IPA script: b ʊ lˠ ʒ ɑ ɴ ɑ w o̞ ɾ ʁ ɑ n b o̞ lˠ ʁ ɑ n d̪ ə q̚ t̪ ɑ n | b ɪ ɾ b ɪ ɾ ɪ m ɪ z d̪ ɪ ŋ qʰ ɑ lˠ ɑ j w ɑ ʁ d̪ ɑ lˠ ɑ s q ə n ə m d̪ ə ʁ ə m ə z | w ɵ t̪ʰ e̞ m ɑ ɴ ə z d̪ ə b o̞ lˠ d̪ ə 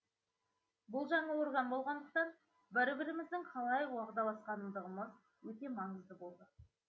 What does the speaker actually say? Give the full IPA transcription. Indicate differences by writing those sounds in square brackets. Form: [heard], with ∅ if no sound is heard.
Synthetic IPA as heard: b ʊ lˠ ʒ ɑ ɴ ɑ w o̞ ɾ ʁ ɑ n b o̞ lˠ ʁ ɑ n d̪ ə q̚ t̪ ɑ n | b ɪ ɾ b ɪ ɾ ɪ m ɪ z d̪ ɪ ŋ qʰ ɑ lˠ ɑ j w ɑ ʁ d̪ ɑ lˠ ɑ s q [ɑ] n ə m d̪ ə ʁ ə m ə z | w ɵ [t̪] e̞ m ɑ ɴ ə z d̪ ə b o̞ lˠ d̪ ə